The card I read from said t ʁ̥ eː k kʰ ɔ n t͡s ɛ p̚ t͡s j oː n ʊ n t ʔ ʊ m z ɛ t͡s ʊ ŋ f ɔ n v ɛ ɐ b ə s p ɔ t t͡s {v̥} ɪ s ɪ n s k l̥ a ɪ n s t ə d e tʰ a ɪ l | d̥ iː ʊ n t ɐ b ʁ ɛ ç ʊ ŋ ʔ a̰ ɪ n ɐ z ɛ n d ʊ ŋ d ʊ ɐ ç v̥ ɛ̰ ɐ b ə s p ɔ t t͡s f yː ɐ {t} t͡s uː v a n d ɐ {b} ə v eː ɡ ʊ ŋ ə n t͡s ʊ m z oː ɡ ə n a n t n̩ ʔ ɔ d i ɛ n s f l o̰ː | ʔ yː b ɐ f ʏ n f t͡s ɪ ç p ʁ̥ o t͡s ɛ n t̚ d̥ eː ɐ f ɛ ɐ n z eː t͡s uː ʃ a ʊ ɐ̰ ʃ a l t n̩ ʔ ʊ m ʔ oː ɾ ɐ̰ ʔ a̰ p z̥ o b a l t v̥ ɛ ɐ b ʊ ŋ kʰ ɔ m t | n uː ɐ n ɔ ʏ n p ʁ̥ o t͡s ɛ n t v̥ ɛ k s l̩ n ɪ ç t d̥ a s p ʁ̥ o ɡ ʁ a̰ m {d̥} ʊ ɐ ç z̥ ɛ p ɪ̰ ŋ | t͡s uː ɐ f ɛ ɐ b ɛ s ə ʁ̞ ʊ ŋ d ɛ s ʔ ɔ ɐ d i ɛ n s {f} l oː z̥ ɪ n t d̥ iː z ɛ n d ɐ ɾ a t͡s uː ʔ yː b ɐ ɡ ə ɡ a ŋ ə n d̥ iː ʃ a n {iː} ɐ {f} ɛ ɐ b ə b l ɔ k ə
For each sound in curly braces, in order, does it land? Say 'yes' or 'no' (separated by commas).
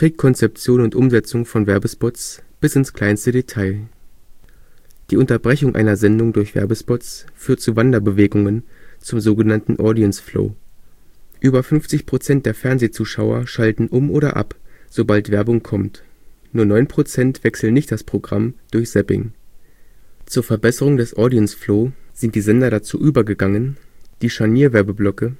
no, yes, yes, yes, yes, yes, no